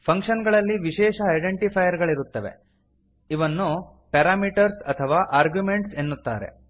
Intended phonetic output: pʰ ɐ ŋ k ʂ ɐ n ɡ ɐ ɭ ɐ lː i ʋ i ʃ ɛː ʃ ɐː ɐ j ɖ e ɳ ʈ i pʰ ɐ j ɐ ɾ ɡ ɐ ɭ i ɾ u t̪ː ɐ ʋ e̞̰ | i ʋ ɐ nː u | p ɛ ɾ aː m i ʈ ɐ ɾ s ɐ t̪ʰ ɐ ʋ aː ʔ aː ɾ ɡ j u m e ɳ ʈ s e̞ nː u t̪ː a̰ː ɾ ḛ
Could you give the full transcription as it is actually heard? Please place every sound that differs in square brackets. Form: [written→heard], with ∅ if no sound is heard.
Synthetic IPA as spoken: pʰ ɐ ŋ k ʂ ɐ n ɡ ɐ ɭ ɐ lː i ʋ i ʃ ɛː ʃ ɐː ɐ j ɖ e ɳ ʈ i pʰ ɐ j ɐ ɾ ɡ ɐ ɭ i ɾ u t̪ː ɐ ʋ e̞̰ | i ʋ ɐ nː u | p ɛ ɾ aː m i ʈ ɐ ɾ s ɐ t̪ʰ ɐ ʋ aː ʔ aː ɾ ɡ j u m e ɳ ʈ s e̞ nː u t̪ː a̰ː ɾ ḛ